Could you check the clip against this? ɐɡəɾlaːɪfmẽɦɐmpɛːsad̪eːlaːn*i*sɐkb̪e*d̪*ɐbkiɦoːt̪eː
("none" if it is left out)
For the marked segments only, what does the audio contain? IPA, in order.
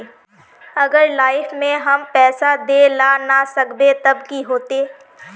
a, t̪

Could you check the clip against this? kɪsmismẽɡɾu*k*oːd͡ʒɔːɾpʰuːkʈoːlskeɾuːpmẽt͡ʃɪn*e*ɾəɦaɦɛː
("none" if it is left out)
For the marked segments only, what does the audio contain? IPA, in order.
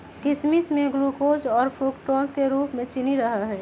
k, i

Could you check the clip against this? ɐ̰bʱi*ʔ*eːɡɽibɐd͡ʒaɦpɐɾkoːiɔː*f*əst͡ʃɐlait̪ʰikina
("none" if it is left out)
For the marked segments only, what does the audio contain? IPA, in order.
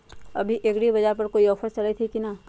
ʔ, f

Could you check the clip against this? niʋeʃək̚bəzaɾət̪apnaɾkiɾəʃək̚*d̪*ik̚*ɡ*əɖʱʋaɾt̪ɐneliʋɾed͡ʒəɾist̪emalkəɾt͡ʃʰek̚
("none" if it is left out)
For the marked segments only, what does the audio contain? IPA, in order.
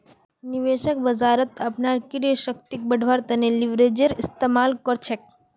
t̪, b

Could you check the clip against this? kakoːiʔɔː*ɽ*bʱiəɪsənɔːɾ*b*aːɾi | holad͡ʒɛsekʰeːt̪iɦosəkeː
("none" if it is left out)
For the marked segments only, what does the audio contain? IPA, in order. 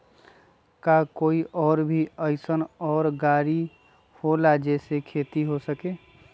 ɾ, ɡ

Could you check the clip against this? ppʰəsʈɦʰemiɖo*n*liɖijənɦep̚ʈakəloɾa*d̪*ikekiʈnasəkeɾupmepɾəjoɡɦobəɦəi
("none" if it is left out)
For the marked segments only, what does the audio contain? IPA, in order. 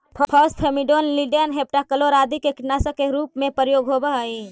n, d̪

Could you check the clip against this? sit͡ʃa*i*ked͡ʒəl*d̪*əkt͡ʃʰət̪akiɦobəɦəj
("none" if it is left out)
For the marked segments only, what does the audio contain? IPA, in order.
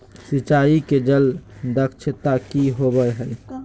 i, d̪

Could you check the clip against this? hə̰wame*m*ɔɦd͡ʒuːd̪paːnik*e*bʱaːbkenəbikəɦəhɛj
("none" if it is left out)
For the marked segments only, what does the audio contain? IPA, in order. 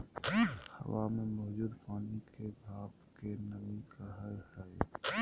m, e

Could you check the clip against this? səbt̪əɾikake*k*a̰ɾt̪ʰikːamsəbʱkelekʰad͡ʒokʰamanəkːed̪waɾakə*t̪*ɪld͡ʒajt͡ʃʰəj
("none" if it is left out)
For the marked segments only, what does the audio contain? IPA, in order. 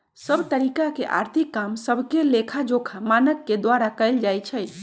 ʔ, none

